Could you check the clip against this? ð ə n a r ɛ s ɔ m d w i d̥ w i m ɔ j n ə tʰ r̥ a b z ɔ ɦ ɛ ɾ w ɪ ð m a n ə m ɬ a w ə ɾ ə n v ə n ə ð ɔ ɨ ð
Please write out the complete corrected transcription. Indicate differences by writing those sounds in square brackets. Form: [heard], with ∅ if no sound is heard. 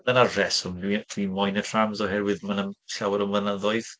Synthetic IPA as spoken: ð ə n a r ɛ s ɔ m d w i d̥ w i m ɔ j n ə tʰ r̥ a [m] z ɔ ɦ ɛ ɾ w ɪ ð m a n ə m ɬ a w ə ɾ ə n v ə n ə ð ɔ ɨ ð